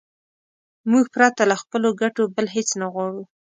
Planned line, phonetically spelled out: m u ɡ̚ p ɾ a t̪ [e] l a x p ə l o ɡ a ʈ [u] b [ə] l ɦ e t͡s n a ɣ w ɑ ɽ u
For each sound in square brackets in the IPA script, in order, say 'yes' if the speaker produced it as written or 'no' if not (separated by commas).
no, no, yes